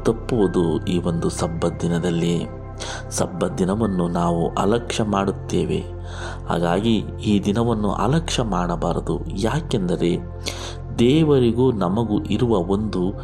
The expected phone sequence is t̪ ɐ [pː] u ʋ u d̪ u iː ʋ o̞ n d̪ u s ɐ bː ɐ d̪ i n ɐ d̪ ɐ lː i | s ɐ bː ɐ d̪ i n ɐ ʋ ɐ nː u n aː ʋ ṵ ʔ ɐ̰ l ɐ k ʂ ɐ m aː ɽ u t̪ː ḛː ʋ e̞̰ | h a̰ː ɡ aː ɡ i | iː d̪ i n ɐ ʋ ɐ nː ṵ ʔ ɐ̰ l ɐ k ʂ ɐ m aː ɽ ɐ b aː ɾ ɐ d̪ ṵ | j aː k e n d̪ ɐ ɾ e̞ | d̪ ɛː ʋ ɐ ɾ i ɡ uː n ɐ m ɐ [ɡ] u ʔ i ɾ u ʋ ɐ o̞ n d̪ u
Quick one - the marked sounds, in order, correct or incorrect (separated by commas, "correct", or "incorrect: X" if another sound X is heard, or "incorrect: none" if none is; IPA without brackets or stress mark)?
correct, correct